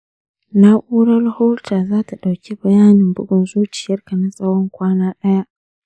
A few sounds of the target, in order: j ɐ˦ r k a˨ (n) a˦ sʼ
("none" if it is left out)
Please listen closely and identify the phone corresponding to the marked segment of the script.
n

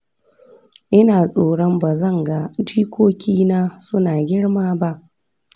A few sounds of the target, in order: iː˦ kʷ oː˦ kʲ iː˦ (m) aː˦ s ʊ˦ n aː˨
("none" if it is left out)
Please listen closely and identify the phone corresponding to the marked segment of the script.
n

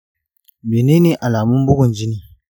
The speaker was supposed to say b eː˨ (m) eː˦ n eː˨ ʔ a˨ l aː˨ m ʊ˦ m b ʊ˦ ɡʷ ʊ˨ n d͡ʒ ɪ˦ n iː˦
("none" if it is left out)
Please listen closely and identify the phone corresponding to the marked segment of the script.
n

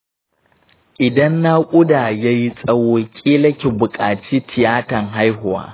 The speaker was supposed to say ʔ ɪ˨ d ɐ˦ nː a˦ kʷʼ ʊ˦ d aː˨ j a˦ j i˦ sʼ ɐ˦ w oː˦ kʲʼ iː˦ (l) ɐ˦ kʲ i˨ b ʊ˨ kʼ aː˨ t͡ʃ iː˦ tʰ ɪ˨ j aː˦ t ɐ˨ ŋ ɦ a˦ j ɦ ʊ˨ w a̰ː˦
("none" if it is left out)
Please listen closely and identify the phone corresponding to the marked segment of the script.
l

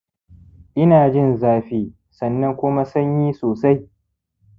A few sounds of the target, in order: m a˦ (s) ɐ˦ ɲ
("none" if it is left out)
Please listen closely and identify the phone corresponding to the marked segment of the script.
s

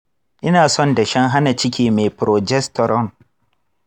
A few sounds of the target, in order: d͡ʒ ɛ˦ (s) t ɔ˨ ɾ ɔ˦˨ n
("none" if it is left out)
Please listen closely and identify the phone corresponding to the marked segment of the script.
s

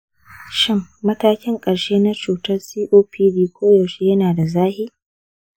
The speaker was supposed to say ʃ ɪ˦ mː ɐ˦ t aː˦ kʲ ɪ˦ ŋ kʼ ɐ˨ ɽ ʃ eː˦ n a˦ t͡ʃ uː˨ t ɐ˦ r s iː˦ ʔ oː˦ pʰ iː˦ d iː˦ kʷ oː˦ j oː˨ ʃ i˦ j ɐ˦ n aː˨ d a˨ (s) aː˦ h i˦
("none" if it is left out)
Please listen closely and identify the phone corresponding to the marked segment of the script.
z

